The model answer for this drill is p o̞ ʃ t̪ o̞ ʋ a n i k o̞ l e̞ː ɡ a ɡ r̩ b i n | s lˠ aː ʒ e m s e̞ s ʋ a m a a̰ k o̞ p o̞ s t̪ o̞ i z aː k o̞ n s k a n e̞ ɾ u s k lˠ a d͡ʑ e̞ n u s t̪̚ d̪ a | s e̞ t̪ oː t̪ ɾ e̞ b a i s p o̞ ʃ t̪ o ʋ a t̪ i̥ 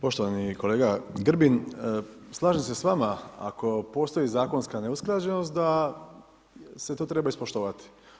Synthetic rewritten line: p o̞ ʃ t̪ o̞ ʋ a n i k o̞ l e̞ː ɡ a ɡ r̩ b i n | s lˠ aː ʒ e m s e̞ s ʋ a m a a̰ k o̞ p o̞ s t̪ o̞ i z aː k o̞ n s k a n e̞ u s k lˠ a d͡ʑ e̞ n o s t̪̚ d̪ a | s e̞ t̪ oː t̪ ɾ e̞ b a i s p o̞ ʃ t̪ o ʋ a t̪ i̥